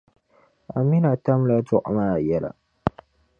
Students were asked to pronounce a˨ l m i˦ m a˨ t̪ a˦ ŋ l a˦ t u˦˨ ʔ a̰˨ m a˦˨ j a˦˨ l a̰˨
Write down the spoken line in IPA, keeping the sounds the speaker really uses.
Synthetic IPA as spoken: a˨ m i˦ n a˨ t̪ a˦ m l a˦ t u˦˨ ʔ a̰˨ m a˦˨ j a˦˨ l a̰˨